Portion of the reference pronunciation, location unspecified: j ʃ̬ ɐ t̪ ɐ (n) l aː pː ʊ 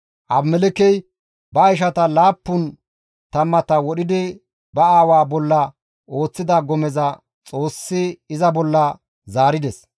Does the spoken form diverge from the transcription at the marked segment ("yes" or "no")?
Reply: yes